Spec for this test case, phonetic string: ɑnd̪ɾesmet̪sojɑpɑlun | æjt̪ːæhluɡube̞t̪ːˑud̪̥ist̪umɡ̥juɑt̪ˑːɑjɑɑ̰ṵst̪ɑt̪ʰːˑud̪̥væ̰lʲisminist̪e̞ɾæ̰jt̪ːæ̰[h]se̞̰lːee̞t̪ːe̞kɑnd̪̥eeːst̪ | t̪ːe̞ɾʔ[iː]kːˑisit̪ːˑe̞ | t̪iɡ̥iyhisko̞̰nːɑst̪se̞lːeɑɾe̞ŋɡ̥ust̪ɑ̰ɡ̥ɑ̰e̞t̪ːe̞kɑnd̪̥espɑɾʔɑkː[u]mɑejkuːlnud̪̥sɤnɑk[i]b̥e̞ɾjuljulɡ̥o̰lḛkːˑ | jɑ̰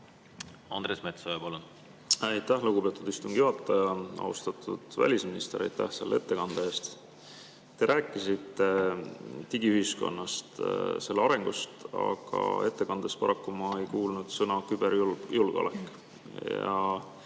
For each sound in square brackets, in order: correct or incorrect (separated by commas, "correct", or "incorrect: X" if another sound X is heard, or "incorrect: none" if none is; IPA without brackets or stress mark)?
correct, incorrect: æː, correct, incorrect: y